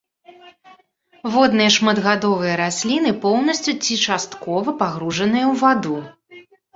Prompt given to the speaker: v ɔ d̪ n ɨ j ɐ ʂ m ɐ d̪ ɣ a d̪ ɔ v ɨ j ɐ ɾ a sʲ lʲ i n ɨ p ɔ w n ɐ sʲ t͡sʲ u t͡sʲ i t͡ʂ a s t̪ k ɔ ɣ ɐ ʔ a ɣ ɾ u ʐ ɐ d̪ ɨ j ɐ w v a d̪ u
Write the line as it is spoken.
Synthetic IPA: v ɔ d̪ n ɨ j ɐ ʂ m ɐ d̪ ɣ a d̪ ɔ v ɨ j ɐ ɾ a sʲ lʲ i n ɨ p ɔ w n ɐ sʲ t͡sʲ u t͡sʲ i t͡ʂ a s t̪ k ɔ v ɐ p a ɣ ɾ u ʐ ɐ n̪ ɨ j ɐ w v a d̪ u